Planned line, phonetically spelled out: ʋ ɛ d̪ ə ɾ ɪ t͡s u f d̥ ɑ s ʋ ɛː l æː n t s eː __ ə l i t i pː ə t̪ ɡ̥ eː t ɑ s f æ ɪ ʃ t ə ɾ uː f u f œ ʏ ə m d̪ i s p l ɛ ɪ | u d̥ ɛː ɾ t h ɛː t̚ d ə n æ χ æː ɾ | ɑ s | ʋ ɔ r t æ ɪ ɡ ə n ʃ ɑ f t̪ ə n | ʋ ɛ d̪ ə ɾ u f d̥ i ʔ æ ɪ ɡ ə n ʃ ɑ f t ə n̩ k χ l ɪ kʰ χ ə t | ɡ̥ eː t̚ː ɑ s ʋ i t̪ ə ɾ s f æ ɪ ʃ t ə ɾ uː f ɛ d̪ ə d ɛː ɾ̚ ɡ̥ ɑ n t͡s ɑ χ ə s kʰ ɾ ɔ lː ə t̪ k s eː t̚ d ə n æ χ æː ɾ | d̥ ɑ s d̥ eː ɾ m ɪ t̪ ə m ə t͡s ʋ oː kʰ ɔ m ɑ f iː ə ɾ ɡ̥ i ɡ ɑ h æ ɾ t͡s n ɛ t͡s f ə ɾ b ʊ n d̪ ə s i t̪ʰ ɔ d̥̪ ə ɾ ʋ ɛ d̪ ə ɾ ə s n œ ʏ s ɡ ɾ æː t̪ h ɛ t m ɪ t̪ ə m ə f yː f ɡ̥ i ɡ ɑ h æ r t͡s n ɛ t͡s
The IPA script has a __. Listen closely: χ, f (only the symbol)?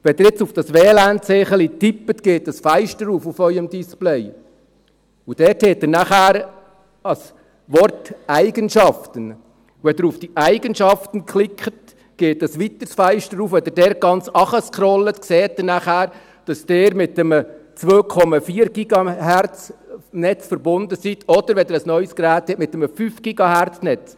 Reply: χ